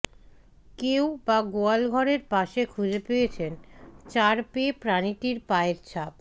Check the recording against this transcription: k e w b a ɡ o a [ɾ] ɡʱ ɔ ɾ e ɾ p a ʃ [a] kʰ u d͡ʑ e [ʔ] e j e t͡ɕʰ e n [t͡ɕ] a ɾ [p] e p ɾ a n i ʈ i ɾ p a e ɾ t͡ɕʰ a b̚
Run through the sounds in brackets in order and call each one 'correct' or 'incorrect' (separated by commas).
incorrect, incorrect, incorrect, correct, correct